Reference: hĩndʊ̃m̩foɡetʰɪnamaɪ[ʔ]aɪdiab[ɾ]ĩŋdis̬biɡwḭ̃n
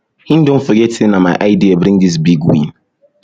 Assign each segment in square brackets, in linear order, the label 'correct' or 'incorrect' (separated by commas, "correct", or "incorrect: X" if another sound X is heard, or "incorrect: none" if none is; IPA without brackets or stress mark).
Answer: correct, correct